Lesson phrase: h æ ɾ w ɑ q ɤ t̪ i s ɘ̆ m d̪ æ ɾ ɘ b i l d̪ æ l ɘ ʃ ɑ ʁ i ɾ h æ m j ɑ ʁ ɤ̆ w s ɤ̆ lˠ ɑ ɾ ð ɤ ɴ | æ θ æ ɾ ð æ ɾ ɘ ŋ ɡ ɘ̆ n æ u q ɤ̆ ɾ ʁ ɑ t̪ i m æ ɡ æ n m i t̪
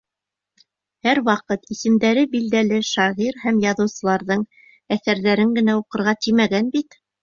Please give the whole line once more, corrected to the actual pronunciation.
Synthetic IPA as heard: h æ ɾ w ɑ q ɤ t̪ i s ɘ̆ m d̪ æ ɾ ɘ b i l d̪ æ l ɘ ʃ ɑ ʁ i ɾ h æ m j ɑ ð ɤ̆ w s ɤ̆ lˠ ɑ ɾ ð ɤ ɴ | æ θ æ ɾ ð æ ɾ ɘ ŋ ɡ ɘ̆ n æ u q ɤ̆ ɾ ʁ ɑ t̪ i m æ ɡ æ n b i t̪